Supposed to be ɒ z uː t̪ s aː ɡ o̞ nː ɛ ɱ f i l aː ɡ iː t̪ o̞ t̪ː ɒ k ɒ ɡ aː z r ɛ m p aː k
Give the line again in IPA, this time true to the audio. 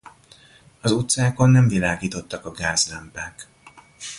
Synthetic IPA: ɒ z u t̪ s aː k o̞ nː ɛ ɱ v i l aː ɡ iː t̪ o̞ t̪ː ɒ k ɒ ɡ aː z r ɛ m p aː k

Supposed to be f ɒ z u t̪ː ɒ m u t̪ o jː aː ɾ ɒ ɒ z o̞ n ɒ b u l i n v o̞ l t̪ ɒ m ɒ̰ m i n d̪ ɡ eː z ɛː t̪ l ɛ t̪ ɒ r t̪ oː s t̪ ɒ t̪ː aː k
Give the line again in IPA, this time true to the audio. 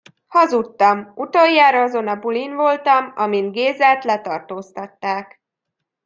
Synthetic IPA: h ɒ z u t̪ː ɒ m u t̪ o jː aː ɾ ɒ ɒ z o̞ n ɒ b u l i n v o̞ l t̪ ɒ m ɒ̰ m i n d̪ ɡ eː z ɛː t̪ l ɛ t̪ ɒ r t̪ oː s t̪ ɒ t̪ː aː k

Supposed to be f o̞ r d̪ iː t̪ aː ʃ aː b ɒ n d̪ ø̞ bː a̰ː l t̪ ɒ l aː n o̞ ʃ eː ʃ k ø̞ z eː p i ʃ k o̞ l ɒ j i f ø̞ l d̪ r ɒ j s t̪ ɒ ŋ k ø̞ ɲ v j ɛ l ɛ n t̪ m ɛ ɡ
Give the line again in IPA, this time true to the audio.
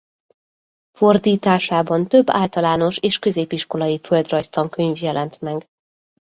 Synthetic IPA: f o̞ r d̪ iː t̪ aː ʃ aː b ɒ n t̪ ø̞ bː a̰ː l t̪ ɒ l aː n o̞ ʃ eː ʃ k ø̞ z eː p i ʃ k o̞ l ɒ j i f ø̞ l d̪ r ɒ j s t̪ ɒ ŋ k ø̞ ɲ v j ɛ l ɛ n t̪ m ɛ ɡ

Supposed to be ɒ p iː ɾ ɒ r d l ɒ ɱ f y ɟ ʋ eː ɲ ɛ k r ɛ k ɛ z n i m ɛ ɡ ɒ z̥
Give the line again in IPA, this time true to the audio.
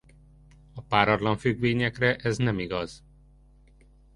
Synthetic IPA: ɒ p aː ɾ ɒ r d l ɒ ɱ f y ɡ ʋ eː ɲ ɛ k r ɛ ʔ ɛ z n ɛ m i ɡ ɒ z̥

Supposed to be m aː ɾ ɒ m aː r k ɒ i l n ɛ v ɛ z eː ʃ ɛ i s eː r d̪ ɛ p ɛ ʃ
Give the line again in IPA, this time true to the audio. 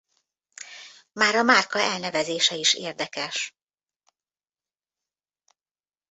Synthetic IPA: m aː ɾ ɒ m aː r k ɒ ɛ l n ɛ v ɛ z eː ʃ ɛ i ʃ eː r d̪ ɛ k ɛ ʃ

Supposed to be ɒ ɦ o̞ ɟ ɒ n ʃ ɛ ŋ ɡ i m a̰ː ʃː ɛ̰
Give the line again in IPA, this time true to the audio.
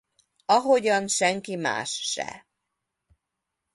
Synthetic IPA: ɒ ɦ o̞ ɟ ɒ n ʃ ɛ ŋ k i m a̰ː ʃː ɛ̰

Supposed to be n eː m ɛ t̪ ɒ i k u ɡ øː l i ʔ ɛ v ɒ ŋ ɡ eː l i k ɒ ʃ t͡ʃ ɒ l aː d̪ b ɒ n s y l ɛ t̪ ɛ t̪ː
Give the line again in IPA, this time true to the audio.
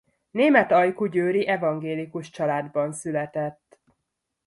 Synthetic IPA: n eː m ɛ t̪ ɒ j k u ɟ øː ɾ i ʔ ɛ v ɒ ŋ ɡ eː l i k u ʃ t͡ʃ ɒ l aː d̪ b ɒ n s y l ɛ t̪ ɛ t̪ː

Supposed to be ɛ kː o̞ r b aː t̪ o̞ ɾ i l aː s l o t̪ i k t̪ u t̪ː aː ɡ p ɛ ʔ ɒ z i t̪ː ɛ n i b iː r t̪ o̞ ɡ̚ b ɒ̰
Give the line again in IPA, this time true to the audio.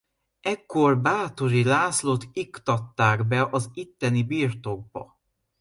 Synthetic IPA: ɛ kː o̞ r b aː t̪ o̞ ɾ i l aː s l o t̪ i k t̪ ɒ t̪ː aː ɡ b ɛ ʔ ɒ z i t̪ː ɛ n i b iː r t̪ o̞ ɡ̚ b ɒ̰

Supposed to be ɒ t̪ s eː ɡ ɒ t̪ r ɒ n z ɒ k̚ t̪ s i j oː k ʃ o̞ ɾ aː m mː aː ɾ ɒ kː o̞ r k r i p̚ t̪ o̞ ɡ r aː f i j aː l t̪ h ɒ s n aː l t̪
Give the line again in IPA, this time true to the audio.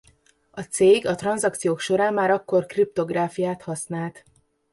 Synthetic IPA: ɒ t̪ s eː ɡ ɒ t̪ r ɒ n z ɒ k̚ t̪ s i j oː k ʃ o̞ ɾ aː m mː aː ɾ ɒ kː o̞ r k r i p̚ t̪ o̞ ɡ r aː f i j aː t̪ h ɒ s n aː l t̪

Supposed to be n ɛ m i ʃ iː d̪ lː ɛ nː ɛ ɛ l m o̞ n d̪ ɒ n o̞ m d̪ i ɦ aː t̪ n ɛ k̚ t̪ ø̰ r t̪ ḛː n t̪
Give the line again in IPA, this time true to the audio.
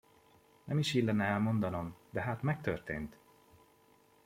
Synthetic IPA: n ɛ m i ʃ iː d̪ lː ɛ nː ɛ ɛ l m o̞ n d̪ ɒ n o̞ m d̪ ɛ ɦ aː t̪ m ɛ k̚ t̪ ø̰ r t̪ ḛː n t̪

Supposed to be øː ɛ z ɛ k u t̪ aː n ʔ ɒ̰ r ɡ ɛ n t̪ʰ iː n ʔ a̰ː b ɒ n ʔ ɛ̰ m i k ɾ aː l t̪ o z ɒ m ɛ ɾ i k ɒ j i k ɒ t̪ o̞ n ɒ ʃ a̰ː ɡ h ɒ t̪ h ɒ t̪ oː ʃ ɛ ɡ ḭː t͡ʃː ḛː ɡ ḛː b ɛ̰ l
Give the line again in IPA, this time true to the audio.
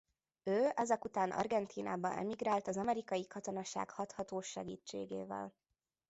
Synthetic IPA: øː ɛ z ɛ k u t̪ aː n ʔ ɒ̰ r ɡ ɛ n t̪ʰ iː n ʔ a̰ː b ɒ n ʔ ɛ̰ m i ɡ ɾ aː l t̪ ɒ z ɒ m ɛ ɾ i k ɒ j i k ɒ t̪ o̞ n ɒ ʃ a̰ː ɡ h ɒ t̪ h ɒ t̪ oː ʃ ɛ ɡ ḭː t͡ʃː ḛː ɡ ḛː v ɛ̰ l

